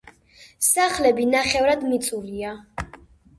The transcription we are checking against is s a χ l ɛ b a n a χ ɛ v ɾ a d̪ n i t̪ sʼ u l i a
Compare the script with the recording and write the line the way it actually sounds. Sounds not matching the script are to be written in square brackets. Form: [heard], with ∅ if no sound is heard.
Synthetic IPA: s a χ l ɛ b [i] n a χ ɛ v ɾ a d̪ [m] i t̪ sʼ u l i a